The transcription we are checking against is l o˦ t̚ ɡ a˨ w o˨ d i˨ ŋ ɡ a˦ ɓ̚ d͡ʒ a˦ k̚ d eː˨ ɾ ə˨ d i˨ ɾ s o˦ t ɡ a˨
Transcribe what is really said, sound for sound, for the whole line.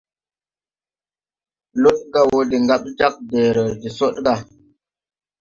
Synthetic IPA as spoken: l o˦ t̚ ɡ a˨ w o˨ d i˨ ŋ ɡ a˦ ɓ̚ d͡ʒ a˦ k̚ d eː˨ ɾ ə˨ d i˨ s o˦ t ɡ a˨